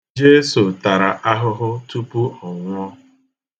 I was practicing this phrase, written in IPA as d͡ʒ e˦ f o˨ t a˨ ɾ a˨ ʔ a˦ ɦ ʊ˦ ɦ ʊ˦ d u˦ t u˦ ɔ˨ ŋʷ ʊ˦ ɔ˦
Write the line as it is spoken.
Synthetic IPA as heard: d͡ʒ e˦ s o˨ t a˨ ɾ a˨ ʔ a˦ ɦ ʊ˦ ɦ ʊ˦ t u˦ p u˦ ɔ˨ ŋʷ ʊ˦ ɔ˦